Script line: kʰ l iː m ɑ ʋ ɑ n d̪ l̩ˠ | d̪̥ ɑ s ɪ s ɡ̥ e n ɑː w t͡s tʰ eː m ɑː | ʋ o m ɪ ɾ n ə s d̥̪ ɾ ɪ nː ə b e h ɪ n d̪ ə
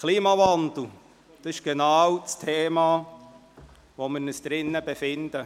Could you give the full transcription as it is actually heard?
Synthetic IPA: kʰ l iː m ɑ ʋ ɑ n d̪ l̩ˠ | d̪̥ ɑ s ɪ ʃ ɡ̥ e n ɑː w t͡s tʰ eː m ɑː | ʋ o m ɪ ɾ n ə s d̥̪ ɾ ɪ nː ə b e f ɪ n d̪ ə

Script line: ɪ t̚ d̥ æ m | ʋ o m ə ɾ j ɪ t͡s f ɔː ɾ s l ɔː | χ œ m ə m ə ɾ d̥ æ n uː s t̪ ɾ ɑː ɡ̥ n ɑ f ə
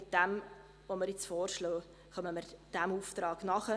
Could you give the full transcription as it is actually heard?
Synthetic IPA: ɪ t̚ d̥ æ m | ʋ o m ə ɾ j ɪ t͡s f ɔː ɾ ʃ l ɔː | χ œ m ə m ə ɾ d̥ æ m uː f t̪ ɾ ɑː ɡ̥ n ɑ χ ə

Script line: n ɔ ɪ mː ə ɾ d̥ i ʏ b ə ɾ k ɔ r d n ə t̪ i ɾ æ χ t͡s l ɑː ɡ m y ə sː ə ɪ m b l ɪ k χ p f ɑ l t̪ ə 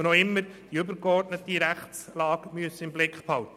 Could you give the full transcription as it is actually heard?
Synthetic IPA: n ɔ ɪ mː ə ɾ d̥ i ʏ b ə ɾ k ɔ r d n ə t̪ i ɾ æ χ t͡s l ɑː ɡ m y ə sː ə ɪ m b l ɪ k χ p h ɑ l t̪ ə

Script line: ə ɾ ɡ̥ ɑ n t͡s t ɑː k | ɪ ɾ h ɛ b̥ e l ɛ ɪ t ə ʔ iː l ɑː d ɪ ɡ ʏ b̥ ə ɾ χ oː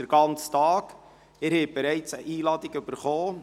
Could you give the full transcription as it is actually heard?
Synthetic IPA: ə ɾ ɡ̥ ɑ n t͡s t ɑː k | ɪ ɾ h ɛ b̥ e ɾ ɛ ɪ t͡s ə ʔ iː l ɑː d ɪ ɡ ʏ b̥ ə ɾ χ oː

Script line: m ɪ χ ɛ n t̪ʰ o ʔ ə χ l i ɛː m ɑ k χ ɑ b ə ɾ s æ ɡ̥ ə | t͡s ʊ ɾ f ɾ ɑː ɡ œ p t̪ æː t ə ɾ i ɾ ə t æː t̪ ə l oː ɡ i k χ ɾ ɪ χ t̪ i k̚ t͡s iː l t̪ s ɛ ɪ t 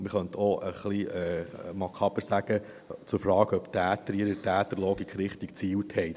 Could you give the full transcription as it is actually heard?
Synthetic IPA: m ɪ χ œ n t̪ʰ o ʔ ə χ l i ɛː m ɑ k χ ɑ b ə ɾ s æ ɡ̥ ə | t͡s ʊ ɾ f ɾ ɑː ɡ œ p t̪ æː t ə ɾ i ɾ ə t æː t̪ ə l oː ɡ i k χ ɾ ɪ χ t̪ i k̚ t͡s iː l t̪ h ɛ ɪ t

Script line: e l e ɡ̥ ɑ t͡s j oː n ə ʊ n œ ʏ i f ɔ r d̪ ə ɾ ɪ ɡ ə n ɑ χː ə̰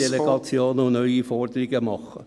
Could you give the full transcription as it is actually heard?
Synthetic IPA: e l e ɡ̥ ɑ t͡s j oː n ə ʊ n œ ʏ i f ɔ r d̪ ə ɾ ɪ ɡ ə m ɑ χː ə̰

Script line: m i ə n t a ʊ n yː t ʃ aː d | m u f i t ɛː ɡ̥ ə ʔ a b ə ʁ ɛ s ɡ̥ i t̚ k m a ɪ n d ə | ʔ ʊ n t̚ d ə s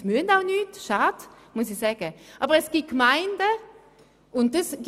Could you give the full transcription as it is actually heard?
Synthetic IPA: m y ə n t a ʊ n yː t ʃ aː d | m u s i s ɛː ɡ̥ ə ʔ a b ə ʁ ɛ s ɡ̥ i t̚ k m a ɪ n d ə | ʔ ʊ n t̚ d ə s

